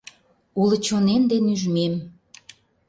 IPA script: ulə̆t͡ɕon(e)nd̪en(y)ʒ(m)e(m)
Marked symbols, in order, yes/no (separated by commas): yes, yes, yes, yes